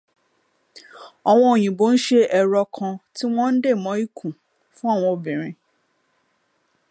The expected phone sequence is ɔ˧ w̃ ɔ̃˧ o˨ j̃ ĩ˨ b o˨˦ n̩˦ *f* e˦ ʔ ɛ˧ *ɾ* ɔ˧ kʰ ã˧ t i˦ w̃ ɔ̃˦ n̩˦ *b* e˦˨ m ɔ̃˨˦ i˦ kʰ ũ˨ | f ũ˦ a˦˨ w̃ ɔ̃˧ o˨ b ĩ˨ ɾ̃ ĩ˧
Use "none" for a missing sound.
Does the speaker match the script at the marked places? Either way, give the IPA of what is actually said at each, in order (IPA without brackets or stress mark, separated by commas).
ʃ, ɾ, d